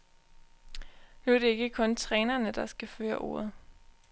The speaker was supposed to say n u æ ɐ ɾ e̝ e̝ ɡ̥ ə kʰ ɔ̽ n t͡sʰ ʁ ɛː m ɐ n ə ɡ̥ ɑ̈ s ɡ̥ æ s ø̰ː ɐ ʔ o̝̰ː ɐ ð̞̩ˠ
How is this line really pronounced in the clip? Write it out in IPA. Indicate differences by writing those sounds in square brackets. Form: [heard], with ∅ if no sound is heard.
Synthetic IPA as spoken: n u æ ɐ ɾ e̝ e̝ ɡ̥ ə kʰ ɔ̽ n t͡sʰ ʁ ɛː [n] ɐ n ə [d̥] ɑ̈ s ɡ̥ æ [f] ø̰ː ɐ ʔ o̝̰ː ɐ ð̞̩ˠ